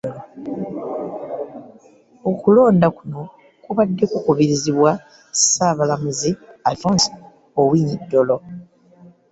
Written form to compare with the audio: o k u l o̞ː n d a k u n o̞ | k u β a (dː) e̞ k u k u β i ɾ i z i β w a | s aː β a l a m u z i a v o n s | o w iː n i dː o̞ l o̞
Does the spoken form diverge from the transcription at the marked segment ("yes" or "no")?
no